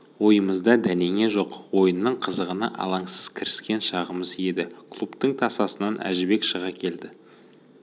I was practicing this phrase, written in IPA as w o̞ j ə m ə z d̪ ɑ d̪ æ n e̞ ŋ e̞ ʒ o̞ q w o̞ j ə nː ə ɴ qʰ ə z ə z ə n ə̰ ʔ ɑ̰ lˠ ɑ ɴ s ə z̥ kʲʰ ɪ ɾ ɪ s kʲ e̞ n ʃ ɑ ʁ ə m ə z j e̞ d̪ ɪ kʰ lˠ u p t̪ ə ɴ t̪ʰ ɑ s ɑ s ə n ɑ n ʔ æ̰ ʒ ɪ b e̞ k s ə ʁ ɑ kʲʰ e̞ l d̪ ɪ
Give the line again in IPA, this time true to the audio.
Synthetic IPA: w o̞ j ə m ə z d̪ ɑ d̪ æ n e̞ ŋ e̞ ʒ o̞ q w o̞ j ə nː ə ɴ qʰ ə z ə ʁ ə n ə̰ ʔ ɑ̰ lˠ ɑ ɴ s ə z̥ kʲʰ ɪ ɾ ɪ s kʲ e̞ n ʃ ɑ ʁ ə m ə z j e̞ d̪ ɪ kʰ lˠ u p t̪ ə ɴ t̪ʰ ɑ s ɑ s ə n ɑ n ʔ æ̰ ʒ ɪ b e̞ k ʃ ə ʁ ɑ kʲʰ e̞ l d̪ ɪ